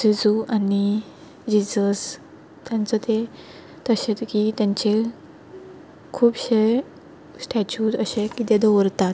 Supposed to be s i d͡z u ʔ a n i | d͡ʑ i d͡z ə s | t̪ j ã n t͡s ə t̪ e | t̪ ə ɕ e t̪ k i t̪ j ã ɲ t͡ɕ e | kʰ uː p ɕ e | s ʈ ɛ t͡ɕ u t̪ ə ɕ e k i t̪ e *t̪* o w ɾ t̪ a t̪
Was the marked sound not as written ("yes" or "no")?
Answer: yes